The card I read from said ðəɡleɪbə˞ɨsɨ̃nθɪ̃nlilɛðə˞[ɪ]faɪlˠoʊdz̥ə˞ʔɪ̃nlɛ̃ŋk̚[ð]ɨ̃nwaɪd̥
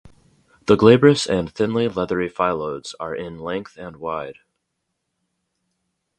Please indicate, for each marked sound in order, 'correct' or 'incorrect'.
incorrect, incorrect

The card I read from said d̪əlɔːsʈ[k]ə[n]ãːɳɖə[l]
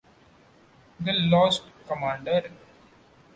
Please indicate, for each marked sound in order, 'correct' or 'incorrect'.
correct, incorrect, incorrect

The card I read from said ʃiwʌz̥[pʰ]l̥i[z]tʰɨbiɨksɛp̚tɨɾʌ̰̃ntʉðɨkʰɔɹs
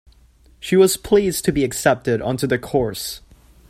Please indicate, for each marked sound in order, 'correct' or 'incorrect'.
correct, correct

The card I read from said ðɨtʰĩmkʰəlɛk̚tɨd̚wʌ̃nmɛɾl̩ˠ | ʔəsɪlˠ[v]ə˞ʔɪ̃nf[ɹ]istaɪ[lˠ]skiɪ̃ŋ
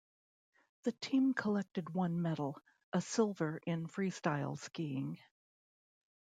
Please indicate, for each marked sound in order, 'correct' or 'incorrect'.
correct, correct, correct

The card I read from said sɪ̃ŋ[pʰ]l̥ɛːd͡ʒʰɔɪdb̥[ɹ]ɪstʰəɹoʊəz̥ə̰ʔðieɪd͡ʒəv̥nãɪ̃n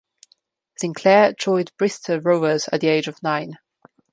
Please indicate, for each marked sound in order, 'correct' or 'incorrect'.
incorrect, correct

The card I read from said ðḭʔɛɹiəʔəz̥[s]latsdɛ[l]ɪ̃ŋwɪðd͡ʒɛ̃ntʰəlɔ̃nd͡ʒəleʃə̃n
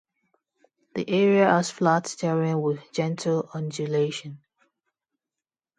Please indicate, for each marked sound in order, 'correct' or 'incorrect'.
incorrect, incorrect

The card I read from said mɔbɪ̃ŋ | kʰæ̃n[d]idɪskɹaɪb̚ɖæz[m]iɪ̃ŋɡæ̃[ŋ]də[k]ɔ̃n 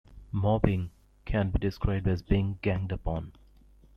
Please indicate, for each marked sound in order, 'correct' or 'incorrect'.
incorrect, incorrect, correct, incorrect

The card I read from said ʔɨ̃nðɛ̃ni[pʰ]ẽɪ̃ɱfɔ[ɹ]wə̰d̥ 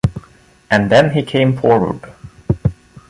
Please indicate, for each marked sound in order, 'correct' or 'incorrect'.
incorrect, correct

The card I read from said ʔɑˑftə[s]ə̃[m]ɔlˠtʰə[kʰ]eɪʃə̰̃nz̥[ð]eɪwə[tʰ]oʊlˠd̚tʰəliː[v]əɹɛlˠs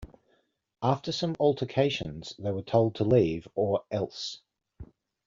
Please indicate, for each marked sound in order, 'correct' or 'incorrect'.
correct, correct, correct, correct, correct, correct

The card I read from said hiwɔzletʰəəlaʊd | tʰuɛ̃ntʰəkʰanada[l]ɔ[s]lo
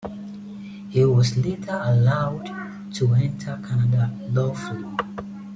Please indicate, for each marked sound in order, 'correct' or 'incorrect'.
correct, incorrect

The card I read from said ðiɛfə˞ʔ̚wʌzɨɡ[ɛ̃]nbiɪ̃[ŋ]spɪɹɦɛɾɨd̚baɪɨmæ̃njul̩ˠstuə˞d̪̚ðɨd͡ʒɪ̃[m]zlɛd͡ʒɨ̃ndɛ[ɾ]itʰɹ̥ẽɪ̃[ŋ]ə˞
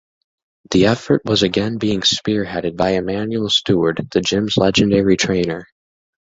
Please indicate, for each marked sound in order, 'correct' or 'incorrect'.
correct, correct, correct, incorrect, incorrect

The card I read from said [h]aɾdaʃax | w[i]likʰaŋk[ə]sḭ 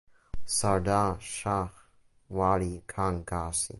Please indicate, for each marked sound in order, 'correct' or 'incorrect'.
incorrect, incorrect, incorrect

